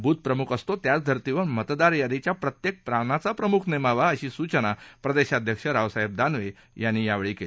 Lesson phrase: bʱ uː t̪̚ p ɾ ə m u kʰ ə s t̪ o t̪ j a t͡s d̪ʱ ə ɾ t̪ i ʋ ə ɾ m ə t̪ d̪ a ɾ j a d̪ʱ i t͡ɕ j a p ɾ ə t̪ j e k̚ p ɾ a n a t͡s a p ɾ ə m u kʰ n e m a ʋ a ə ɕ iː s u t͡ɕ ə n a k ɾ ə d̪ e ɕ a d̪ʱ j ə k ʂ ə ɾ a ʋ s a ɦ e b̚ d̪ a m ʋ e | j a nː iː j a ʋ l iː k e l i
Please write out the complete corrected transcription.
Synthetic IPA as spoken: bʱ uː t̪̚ p ɾ ə m u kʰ ə s t̪ o t̪ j a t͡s d̪ʱ ə ɾ t̪ i ʋ ə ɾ m ə t̪ d̪ a ɾ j a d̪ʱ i t͡ɕ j a p ɾ ə t̪ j e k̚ p ɾ a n a t͡s a p ɾ ə m u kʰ n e m a ʋ a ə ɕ iː s u t͡ɕ ə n a p ɾ ə d̪ e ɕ a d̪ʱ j ə k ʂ ə ɾ a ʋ s a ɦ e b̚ d̪ a n ʋ e | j a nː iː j a ʋ ɭ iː k e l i